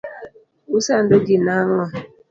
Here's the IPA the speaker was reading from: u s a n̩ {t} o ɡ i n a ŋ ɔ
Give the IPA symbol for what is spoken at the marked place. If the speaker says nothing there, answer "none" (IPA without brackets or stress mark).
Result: d